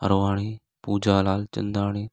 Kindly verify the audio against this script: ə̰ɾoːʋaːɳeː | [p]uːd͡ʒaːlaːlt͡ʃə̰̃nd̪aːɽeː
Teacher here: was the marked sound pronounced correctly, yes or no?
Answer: yes